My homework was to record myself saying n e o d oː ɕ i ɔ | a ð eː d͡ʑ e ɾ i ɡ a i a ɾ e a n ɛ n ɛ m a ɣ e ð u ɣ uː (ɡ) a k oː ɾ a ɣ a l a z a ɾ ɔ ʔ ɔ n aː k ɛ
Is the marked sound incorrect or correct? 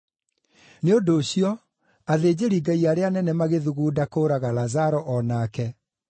incorrect